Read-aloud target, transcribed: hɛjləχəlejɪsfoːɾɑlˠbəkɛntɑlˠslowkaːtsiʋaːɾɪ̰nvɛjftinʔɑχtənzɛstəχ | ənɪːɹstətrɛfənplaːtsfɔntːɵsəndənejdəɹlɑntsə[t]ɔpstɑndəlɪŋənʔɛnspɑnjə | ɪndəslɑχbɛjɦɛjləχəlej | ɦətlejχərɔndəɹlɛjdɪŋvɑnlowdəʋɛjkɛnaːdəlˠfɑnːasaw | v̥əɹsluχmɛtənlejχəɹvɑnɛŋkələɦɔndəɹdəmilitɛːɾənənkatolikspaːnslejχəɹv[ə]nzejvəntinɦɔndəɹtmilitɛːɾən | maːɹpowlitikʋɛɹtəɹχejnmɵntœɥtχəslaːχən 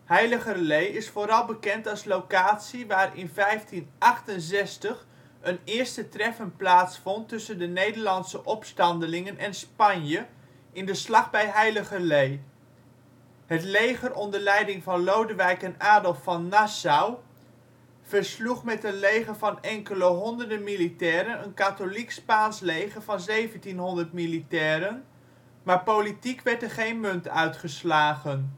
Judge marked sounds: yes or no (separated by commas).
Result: no, no